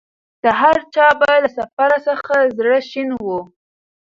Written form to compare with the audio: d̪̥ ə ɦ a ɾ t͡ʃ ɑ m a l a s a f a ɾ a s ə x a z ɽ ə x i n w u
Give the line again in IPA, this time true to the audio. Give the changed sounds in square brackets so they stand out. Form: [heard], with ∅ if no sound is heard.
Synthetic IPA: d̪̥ ə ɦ a ɾ t͡ʃ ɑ [b] a l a s a f a ɾ a s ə x a z ɽ ə [ʃ] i n w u